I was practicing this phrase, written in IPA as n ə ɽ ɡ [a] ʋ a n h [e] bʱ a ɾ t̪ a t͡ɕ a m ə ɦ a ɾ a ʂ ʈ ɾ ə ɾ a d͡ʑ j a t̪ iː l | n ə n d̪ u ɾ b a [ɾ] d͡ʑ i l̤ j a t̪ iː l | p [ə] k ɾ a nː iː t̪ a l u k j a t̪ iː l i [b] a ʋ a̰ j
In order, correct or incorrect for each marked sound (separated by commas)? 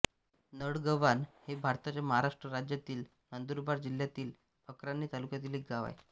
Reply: incorrect, correct, correct, correct, incorrect